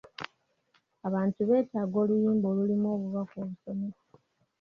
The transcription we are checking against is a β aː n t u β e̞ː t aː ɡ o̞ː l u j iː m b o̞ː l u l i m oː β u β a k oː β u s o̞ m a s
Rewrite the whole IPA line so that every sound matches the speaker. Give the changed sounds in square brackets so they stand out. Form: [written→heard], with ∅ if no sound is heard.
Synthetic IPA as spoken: a β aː n t u β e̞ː t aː ɡ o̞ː l u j iː m b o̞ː l u l i m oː β u β a k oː β u s o̞ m [a→e] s